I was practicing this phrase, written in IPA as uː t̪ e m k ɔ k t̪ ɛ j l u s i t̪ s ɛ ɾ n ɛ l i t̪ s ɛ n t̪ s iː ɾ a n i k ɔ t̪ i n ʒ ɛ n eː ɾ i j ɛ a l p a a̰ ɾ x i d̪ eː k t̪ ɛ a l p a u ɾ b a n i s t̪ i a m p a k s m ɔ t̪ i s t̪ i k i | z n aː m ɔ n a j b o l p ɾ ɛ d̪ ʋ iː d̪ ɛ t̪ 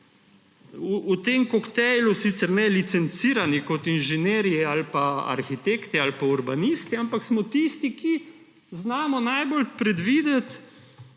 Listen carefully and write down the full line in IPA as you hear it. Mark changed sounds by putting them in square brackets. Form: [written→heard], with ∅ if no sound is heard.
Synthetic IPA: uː t̪ e m k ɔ k t̪ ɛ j l u s i t̪ s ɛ ɾ n ɛ l i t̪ s ɛ n t̪ s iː ɾ a n i k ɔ t̪ i n ʒ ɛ n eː ɾ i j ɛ a l p a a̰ ɾ x i [d̪→t̪] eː k t̪ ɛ a l p a u ɾ b a n i s t̪ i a m p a k s m ɔ t̪ i s t̪ i k i | z n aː m ɔ n a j b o l p ɾ ɛ d̪ ʋ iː d̪ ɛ t̪